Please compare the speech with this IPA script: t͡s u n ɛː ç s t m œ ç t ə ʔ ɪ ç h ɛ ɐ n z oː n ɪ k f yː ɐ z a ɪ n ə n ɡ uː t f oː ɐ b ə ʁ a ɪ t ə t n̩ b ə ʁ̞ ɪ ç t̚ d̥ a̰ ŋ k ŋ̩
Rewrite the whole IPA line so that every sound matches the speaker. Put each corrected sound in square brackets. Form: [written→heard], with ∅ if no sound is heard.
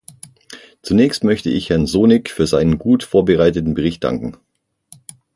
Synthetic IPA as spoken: t͡s u n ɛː ç s t m œ ç t ə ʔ ɪ ç h ɛ ɐ n z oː n ɪ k f yː ɐ z a ɪ n ə n ɡ uː t f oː ɐ b ə ʁ a ɪ t ə t n̩ b ə ʁ̞ ɪ ç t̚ d̥ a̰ ŋ k ŋ̩